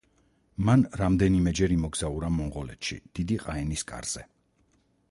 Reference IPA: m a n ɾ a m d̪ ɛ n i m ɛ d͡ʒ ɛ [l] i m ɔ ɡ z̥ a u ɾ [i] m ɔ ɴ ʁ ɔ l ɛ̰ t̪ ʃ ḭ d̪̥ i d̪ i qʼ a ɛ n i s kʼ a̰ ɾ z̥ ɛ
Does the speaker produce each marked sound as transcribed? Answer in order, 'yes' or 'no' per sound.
no, no

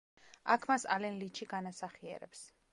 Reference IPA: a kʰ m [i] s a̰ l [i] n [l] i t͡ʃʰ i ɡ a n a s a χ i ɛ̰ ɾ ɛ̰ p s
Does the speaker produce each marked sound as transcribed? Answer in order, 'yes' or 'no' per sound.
no, no, yes

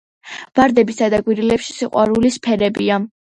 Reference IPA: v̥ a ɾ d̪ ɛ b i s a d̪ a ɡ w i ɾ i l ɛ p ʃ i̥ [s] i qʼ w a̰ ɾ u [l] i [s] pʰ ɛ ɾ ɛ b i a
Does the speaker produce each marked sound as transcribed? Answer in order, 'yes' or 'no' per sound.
yes, yes, yes

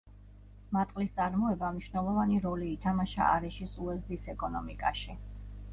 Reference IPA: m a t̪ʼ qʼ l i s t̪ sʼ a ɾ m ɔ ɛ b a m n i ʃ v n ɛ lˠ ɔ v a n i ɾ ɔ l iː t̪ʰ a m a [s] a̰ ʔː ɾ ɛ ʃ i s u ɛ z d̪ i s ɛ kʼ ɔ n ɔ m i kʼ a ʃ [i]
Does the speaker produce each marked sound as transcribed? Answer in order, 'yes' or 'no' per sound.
no, yes

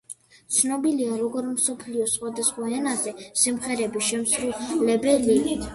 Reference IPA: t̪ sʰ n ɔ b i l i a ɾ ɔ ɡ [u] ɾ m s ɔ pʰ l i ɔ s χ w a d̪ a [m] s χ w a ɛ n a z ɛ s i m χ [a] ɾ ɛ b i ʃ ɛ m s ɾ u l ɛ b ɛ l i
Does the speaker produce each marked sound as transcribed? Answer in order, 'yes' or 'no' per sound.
no, no, no

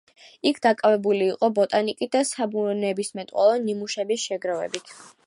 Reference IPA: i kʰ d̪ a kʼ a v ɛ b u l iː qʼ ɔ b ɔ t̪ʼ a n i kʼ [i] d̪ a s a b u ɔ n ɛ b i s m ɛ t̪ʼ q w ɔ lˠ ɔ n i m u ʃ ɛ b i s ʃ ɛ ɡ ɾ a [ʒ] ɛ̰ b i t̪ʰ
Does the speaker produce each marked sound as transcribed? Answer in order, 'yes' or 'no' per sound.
yes, no

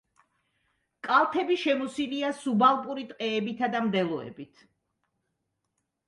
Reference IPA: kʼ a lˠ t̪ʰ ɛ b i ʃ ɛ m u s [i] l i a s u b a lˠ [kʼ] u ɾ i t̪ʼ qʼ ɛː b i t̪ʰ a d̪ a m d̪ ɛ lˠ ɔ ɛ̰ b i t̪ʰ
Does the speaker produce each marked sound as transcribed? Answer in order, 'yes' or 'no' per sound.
yes, no

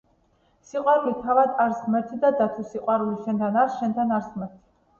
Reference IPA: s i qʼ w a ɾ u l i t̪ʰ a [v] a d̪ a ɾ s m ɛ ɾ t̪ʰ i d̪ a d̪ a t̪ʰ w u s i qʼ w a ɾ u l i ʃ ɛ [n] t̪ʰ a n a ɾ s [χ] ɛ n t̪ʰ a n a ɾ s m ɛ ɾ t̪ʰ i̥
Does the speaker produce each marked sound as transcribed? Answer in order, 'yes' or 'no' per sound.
yes, yes, no

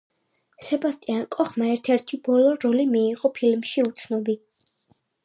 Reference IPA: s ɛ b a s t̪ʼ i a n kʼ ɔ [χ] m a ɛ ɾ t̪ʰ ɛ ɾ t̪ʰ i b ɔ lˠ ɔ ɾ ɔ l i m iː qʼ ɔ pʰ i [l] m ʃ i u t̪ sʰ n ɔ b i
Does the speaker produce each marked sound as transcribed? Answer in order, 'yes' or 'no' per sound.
yes, yes

